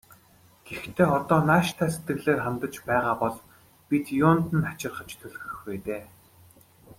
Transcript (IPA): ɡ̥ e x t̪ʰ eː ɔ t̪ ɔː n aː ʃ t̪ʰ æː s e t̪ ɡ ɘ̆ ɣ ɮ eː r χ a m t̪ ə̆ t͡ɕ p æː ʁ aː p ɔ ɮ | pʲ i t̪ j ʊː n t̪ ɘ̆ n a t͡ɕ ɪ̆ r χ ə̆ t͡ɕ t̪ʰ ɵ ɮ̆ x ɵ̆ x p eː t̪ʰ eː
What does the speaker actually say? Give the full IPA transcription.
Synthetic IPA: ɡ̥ e x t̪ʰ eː ɔ t̪ ɔː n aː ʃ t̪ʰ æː s e t̪ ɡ ɘ̆ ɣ ɮ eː r χ a m t̪ ə̆ t͡ɕ p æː ʁ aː p ɔ ɮ | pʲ i t̪ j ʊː n t̪ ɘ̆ n a t͡ɕ ɪ̆ r χ ə̆ t͡ɕ t̪ʰ ɵ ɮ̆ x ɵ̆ x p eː t̪ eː

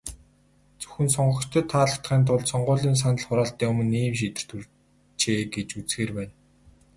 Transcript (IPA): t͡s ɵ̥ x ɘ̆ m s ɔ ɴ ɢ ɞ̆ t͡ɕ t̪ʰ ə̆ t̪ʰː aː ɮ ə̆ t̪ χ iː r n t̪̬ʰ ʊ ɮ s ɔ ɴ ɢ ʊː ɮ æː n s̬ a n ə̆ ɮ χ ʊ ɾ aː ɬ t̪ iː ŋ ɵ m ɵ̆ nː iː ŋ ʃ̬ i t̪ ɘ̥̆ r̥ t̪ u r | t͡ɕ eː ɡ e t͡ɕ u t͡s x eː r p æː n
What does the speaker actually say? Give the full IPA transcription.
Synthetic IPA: t͡s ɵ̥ x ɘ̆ n s ɔ ɴ ɢ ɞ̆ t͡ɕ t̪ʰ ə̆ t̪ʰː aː ɮ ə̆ t̪ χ iː n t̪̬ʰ ʊ ɮ s ɔ ɴ ɢ ʊː ɮ iː n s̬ a n ə̆ ɮ χ ʊ ɾ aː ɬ t̪ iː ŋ ɵ m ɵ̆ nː iː m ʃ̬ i t̪ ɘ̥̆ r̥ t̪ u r | t͡ɕ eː ɡ e t͡ɕ u t͡s x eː r p æː n

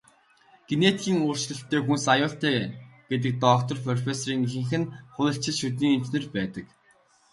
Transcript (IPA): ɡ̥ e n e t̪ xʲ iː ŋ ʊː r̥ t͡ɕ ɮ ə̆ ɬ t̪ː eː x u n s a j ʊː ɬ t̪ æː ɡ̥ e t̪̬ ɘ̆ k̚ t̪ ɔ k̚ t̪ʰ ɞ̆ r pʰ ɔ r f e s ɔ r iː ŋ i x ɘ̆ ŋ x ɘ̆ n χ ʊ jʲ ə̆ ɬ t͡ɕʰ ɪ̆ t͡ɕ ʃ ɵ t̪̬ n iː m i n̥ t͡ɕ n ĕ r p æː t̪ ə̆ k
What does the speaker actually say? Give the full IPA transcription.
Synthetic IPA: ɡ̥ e n e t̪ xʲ iː ŋ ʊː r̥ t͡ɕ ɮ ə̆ ɬ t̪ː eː x u n s a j ʊː ɬ t̪ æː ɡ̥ e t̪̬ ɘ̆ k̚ t̪ ɔ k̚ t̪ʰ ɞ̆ r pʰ ɔ r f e s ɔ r iː ŋ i x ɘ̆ ŋ x ɘ̆ n χ ʊ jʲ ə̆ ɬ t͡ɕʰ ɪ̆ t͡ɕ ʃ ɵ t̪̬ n iː ŋ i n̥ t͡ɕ n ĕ r p æː t̪ ə̆ k

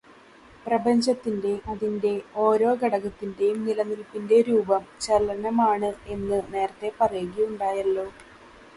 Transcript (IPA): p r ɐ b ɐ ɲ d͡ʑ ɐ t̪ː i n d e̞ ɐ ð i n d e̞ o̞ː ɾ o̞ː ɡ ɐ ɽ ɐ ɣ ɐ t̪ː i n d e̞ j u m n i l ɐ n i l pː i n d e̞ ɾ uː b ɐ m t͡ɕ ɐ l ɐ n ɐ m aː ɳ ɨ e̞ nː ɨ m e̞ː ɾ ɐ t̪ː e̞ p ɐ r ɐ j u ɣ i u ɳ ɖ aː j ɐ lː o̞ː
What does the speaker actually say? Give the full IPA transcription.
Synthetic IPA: p r ɐ b ɐ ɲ d͡ʑ ɐ t̪ː i n d e̞ ɐ ð i n d e̞ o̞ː ɾ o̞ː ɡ ɐ ɽ ɐ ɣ ɐ t̪ː i n d e̞ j u m n i l ɐ n i l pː i n d e̞ ɾ uː b ɐ m t͡ɕ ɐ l ɐ n ɐ m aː ɳ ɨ e̞ nː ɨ n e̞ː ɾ ɐ t̪ː e̞ p ɐ r ɐ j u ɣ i u ɳ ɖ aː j ɐ lː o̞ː

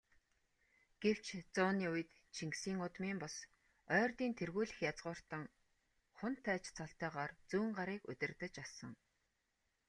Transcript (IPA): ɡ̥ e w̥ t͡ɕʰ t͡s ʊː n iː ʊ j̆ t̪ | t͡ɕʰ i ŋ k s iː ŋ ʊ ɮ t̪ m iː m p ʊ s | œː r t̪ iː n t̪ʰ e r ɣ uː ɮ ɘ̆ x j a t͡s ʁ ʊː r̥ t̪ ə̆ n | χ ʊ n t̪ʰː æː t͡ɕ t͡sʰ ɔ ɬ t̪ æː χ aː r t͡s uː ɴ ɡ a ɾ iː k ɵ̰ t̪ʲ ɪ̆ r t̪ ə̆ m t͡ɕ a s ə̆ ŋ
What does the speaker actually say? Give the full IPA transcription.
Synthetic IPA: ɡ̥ e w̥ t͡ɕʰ t͡s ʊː n iː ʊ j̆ t̪ | t͡ɕʰ i ŋ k s iː ŋ ʊ t̪ m iː m p ʊ s | œː r t̪ iː n t̪ʰ e r ɣ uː ɮ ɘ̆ x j a t͡s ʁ ʊː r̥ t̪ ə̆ ŋ | χ ʊ n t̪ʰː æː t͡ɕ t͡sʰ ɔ ɬ t̪ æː ʁ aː r t͡s uː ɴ ɢ a ɾ iː k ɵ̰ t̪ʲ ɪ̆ r t̪ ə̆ t͡ɕ a s ə̆ ŋ

